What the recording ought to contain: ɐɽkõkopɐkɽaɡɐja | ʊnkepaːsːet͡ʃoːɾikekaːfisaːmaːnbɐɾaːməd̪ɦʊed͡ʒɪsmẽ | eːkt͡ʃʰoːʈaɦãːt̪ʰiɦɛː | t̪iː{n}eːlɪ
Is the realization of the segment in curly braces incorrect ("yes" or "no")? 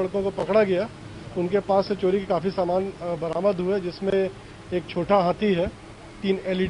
no